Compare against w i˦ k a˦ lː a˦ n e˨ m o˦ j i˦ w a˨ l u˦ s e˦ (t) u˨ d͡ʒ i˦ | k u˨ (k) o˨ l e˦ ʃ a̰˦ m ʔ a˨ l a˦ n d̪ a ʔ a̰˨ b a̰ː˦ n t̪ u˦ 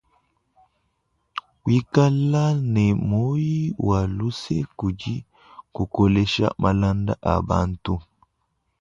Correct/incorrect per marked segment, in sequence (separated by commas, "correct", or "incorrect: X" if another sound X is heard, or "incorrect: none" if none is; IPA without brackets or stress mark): incorrect: k, correct